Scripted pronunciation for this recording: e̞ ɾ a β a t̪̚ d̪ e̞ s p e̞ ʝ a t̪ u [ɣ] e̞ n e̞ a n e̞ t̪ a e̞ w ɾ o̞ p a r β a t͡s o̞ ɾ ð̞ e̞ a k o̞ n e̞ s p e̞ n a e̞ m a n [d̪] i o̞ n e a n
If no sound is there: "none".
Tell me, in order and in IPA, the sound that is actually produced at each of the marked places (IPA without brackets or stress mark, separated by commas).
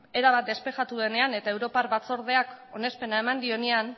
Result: ð, d̪